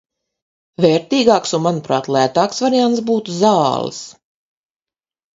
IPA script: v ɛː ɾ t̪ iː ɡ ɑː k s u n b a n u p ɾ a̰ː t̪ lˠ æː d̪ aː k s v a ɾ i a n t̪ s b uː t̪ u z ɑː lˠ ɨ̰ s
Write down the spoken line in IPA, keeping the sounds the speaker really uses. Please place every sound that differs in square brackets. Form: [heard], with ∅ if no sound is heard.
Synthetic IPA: v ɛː ɾ t̪ iː ɡ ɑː k s u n [m] a n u p ɾ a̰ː t̪ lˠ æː [t̪] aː k s v a ɾ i a n t̪ s b uː t̪ u z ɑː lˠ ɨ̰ s